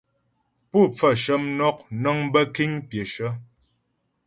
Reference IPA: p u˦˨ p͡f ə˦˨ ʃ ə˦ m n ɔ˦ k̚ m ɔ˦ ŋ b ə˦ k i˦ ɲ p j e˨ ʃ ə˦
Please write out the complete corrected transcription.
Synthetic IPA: p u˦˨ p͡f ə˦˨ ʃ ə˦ m n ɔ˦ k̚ n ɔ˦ ŋ b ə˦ k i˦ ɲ p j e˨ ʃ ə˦